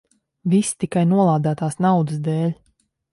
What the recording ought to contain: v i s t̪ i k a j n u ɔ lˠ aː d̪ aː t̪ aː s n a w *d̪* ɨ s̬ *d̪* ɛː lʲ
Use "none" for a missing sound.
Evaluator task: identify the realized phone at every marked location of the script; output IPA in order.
d̪, d̪

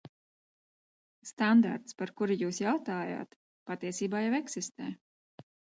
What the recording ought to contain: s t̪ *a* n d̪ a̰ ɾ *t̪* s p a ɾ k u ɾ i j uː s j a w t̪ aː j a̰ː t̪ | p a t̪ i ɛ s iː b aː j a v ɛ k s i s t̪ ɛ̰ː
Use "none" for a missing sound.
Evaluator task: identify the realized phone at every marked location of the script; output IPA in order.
a, t̪

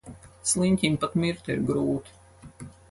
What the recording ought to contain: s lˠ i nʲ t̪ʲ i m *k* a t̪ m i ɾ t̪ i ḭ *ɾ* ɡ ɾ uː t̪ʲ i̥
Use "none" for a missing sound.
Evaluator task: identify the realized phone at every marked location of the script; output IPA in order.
p, ɾ

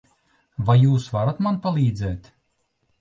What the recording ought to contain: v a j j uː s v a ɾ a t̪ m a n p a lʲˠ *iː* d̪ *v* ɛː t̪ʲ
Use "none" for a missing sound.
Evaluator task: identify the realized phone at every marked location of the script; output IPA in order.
iː, z

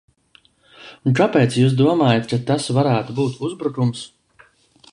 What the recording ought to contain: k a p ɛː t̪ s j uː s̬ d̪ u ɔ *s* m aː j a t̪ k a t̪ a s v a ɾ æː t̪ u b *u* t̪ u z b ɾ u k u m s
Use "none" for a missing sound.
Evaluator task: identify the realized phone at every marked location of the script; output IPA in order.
none, uː

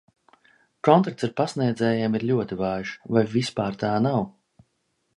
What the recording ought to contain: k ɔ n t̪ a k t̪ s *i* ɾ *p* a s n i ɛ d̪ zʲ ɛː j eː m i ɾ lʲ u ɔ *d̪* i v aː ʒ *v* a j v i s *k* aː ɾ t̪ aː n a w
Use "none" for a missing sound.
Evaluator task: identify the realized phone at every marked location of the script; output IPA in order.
a, p, t̪, v, p

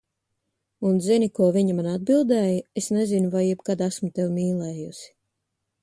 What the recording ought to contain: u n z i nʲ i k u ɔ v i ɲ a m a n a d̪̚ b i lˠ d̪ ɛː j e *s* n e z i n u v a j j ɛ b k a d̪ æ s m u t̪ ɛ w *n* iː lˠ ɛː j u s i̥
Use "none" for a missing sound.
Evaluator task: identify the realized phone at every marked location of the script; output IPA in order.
s, m

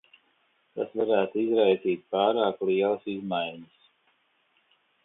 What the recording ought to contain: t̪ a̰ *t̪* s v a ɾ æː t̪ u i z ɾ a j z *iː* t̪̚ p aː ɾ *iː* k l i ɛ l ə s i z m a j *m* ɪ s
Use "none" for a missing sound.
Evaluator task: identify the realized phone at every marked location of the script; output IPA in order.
none, iː, aː, ɲ

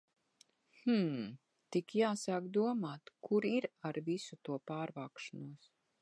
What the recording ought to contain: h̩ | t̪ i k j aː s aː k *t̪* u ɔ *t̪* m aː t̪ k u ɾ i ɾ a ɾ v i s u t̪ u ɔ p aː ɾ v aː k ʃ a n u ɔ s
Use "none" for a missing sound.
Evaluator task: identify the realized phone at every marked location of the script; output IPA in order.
d̪, none

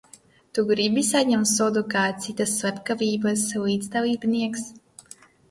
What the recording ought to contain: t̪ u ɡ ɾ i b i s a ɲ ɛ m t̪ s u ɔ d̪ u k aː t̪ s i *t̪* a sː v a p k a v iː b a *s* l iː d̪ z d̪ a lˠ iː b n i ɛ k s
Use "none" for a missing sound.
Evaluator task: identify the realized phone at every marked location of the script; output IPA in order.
t̪, s

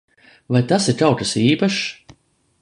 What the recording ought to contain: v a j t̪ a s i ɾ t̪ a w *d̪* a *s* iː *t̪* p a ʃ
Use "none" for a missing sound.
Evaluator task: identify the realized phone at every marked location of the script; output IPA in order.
t̪, s, none

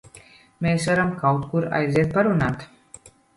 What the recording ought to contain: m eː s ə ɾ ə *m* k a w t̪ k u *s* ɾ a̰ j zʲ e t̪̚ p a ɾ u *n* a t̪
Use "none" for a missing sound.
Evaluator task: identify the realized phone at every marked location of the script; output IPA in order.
m, none, n

